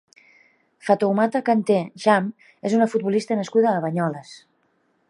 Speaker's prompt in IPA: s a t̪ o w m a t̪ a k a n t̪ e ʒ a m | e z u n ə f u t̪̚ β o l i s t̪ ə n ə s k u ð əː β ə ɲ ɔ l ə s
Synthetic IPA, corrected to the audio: f a t̪ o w m a t̪ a k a n t̪ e ʒ a m | e z u n ə f u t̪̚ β u l i s t̪ ə n ə s k u ð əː β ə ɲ ɔ l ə s